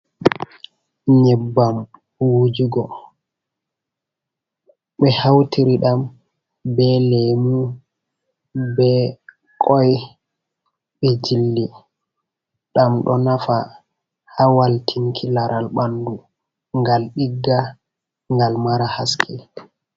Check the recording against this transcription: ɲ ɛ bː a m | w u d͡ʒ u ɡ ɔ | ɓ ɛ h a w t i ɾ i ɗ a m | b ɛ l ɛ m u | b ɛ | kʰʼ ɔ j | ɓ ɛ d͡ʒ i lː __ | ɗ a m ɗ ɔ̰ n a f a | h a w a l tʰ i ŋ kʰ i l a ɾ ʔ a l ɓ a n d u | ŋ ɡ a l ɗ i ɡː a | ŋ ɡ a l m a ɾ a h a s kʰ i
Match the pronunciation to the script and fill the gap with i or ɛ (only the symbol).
i